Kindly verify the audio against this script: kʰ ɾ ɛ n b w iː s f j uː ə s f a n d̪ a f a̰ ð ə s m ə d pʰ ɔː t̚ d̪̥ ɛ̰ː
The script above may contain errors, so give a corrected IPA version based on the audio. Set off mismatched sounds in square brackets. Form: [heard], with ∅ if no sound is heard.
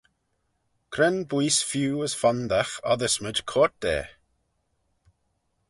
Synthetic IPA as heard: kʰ ɾ ɛ n b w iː s f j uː ə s f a n d̪ a [x] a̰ ð ə s m ə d [kʰ] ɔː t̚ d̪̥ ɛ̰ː